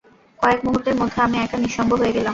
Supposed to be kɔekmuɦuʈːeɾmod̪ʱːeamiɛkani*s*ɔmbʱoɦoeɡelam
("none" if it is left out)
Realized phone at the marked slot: ʃ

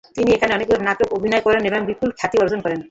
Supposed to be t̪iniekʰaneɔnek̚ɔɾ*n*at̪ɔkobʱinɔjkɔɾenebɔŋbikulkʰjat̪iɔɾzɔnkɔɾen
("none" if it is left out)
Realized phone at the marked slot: n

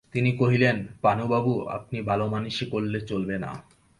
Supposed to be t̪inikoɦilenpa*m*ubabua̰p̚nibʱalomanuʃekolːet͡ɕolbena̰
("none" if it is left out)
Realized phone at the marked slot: n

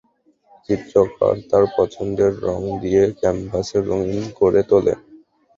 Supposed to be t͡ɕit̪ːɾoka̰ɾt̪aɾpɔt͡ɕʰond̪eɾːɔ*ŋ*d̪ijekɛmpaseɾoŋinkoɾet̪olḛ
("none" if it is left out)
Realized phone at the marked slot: ŋ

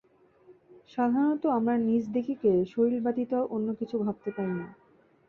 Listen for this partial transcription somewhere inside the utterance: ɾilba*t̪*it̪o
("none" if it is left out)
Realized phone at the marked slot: t̪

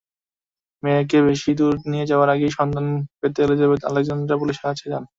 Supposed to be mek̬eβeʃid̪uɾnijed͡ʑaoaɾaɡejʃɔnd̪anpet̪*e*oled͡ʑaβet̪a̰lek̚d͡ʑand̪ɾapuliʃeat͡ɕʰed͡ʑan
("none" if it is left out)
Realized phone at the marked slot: e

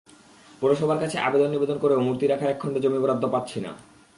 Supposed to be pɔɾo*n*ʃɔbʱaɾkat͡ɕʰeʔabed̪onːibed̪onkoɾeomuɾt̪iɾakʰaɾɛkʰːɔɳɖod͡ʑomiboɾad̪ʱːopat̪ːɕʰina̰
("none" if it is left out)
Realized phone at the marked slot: none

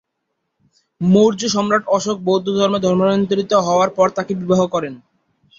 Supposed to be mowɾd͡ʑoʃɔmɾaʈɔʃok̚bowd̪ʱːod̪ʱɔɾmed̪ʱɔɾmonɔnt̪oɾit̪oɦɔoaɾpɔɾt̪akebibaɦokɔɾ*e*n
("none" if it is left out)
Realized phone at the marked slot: e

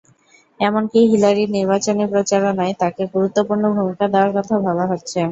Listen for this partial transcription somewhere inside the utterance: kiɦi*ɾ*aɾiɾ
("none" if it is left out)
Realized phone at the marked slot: l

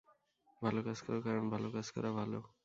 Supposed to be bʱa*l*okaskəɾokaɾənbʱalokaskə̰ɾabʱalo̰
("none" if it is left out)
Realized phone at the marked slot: l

